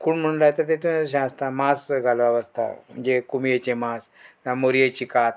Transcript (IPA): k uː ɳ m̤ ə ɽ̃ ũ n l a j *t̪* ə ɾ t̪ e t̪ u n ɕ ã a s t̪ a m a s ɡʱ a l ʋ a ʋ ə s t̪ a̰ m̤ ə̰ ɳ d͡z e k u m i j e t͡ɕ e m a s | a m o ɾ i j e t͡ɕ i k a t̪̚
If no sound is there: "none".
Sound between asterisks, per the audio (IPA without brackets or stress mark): t̪